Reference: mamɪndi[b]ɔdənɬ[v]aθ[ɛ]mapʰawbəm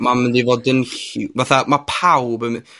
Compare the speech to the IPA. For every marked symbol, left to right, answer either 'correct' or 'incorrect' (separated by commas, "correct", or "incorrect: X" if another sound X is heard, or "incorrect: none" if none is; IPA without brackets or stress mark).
incorrect: v, correct, incorrect: a